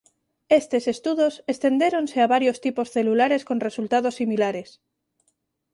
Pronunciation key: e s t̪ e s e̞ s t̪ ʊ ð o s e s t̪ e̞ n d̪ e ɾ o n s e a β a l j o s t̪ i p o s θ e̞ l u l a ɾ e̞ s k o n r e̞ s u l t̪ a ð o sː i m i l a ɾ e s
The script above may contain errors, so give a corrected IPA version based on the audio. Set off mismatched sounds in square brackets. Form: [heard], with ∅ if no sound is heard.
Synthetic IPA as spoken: e s t̪ e s e̞ s t̪ [u] ð o s e s t̪ e̞ n d̪ e ɾ o n s e a β a [ɾ] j o s t̪ i p o s θ e̞ l u l a ɾ e̞ s k o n r e̞ s u l t̪ a ð o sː i m i l a ɾ e s

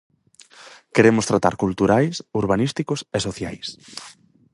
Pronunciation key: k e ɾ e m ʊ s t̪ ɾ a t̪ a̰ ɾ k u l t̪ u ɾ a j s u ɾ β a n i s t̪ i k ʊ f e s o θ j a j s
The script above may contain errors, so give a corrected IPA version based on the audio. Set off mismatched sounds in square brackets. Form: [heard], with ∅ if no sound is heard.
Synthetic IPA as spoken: k e ɾ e m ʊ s t̪ ɾ a t̪ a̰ ɾ k u l t̪ u ɾ a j s u ɾ β a n i s t̪ i k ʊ [s] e s o θ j a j s

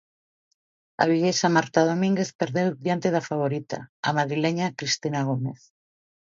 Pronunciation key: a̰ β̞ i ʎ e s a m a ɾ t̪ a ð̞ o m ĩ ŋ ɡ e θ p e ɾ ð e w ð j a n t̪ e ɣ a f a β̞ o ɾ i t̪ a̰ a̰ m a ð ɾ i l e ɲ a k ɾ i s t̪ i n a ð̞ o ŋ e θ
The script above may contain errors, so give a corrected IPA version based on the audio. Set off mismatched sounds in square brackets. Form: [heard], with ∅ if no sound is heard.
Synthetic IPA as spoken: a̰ β̞ i ʎ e s a m a ɾ t̪ a ð̞ o m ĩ ŋ ɡ e θ p e ɾ ð e w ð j a n t̪ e [ð] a f a β̞ o ɾ i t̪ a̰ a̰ m a ð ɾ i l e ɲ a k ɾ i s t̪ i n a [ɣ̞] o [m] e θ

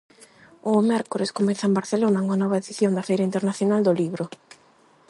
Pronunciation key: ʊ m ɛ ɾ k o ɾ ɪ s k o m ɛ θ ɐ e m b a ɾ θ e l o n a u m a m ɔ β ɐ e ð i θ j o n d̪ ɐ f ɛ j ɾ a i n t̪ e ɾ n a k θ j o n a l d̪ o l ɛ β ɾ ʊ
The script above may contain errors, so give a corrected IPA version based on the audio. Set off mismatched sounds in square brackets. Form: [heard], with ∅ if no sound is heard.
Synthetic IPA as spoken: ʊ m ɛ ɾ k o ɾ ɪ s k o m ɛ θ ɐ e m b a ɾ θ e l o n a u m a [n] ɔ β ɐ e ð i θ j o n d̪ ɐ f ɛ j ɾ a i n t̪ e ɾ n a [∅] θ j o n a l d̪ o l [i] β ɾ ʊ

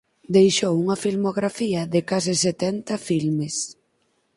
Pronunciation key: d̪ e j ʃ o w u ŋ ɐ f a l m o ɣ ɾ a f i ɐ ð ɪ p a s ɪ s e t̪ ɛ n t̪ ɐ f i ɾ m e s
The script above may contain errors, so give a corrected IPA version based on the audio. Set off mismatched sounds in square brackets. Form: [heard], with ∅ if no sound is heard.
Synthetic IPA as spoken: d̪ e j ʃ o w u ŋ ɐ f [i] l m o ɣ ɾ a f i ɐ ð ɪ [k] a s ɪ s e t̪ ɛ n t̪ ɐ f i [l] m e s

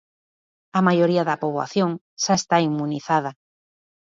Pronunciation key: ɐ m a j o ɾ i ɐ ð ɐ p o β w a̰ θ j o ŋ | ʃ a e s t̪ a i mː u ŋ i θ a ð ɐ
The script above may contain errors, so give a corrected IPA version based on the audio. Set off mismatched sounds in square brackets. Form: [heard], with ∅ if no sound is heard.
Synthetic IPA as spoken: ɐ m a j o ɾ i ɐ ð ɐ p o β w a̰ θ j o ŋ | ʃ a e s t̪ a i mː u [n] i θ a ð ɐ

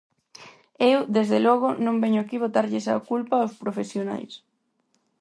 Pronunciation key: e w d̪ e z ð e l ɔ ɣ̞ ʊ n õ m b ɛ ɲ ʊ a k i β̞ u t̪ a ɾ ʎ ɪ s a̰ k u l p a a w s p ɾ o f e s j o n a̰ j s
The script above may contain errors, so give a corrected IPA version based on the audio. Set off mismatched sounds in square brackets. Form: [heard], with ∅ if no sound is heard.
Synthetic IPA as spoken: e w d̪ e z ð e l ɔ ɣ̞ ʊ n õ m b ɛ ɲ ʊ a k i β̞ [o] t̪ a ɾ ʎ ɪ s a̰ k u l p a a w s p ɾ o f e s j o n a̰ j s

